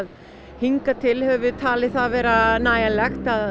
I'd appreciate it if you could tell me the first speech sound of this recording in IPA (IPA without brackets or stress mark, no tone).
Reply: ð